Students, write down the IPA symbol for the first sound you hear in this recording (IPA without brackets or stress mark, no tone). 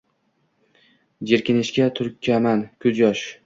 d͡ʒ